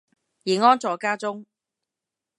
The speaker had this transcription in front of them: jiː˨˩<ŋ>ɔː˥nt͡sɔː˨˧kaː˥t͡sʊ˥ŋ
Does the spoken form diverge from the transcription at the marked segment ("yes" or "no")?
no